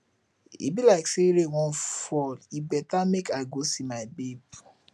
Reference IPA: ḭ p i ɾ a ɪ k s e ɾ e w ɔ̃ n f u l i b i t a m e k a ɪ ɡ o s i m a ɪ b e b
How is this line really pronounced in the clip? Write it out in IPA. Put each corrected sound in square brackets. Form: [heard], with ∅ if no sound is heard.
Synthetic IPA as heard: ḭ [b] i [l] a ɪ k s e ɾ e w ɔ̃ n f [ɔ] l i b [ɛ] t a m e k a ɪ ɡ o s i m a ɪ b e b